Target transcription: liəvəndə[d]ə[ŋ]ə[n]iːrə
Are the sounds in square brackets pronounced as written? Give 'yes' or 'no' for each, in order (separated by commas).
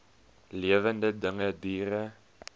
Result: yes, yes, no